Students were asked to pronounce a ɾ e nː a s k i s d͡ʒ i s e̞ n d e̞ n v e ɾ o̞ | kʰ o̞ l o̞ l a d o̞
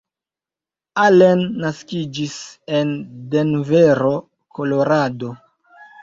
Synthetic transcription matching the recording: a l e nː a s k i d͡ʒ i s e̞ n d e̞ n v e ɾ o̞ | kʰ o̞ l o̞ ɾ a d o̞